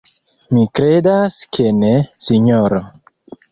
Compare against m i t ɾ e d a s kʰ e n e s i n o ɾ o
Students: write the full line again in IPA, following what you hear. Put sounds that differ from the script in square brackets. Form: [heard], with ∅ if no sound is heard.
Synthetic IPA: m i [k] ɾ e d a s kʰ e n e s i [ɲ] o ɾ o